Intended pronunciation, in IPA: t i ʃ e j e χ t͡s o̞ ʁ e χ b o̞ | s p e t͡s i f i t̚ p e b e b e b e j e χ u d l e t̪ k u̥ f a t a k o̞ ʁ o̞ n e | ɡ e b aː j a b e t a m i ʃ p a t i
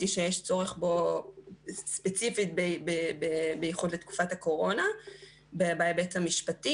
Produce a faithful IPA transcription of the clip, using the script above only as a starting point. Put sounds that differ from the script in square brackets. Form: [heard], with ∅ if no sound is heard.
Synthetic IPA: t i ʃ e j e [ʃ] t͡s o̞ ʁ e χ b o̞ | s p e t͡s i f i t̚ [b] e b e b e b e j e χ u d l e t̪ k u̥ f a t a k o̞ ʁ o̞ n [a] | [b] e b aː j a b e t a m i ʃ p a t i